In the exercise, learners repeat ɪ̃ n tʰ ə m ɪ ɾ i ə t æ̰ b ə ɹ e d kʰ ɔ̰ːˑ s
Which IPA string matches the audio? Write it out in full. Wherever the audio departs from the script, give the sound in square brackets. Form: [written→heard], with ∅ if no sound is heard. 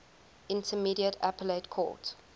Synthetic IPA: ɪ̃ n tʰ ə m [ɪ→i] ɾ i ə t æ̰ [b→p] ə [ɹ→l] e [d→t] kʰ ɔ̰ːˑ [s→t]